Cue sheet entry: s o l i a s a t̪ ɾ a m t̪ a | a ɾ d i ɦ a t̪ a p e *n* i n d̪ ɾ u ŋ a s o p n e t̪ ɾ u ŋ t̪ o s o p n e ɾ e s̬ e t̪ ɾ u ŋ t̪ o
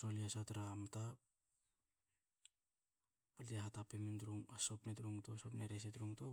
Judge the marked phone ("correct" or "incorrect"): incorrect